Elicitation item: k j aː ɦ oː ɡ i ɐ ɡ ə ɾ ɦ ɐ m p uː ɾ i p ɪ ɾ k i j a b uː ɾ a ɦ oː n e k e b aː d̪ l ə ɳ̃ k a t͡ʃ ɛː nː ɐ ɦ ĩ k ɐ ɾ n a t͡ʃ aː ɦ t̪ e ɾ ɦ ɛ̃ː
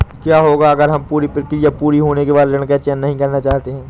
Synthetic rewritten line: k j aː ɦ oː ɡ a ɐ ɡ ə ɾ ɦ ɐ m p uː ɾ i p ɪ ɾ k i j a p uː ɾ i ɦ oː n e k e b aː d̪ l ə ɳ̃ k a t͡ʃ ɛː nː ɐ ɦ ĩ k ɐ ɾ n a t͡ʃ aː ɦ t̪ e ɦ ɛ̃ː